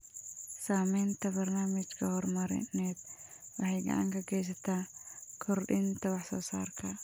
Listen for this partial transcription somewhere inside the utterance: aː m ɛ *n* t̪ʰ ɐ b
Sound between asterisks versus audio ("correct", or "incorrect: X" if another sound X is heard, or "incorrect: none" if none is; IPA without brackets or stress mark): correct